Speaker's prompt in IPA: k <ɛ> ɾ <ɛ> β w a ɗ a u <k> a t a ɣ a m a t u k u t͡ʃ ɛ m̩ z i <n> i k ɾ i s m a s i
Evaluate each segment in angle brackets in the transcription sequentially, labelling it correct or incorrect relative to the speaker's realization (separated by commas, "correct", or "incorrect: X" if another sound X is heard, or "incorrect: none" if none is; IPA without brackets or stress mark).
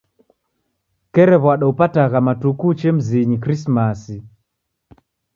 correct, correct, incorrect: p, incorrect: ɲ